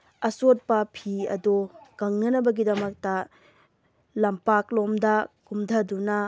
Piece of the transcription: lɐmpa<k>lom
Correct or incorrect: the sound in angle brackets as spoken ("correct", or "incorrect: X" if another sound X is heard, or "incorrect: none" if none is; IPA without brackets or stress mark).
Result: correct